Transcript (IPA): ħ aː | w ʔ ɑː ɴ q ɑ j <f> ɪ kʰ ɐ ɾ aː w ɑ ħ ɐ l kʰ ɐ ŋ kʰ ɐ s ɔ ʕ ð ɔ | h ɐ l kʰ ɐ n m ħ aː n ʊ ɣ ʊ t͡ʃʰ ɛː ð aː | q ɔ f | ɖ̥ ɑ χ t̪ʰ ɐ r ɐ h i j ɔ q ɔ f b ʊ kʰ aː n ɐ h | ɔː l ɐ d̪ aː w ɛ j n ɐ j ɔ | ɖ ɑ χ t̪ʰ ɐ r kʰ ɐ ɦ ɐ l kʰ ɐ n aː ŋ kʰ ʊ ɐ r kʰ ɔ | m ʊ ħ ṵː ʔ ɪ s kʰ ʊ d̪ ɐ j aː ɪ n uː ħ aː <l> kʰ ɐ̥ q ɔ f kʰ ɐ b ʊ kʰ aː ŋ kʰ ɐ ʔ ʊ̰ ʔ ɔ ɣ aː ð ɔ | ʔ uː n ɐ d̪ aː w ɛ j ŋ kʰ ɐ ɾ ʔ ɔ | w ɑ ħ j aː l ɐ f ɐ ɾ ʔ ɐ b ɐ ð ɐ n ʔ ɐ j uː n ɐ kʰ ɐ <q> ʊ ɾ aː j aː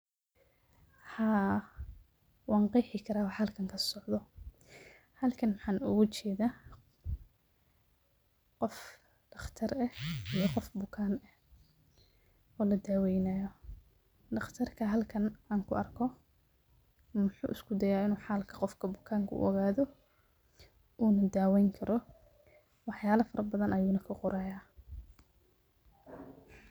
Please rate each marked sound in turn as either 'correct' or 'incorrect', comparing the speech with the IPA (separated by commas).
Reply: incorrect, correct, correct